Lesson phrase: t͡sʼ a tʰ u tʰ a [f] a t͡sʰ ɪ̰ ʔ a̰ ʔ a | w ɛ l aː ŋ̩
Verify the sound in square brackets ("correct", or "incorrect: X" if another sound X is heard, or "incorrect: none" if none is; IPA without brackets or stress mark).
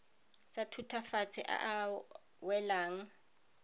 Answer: correct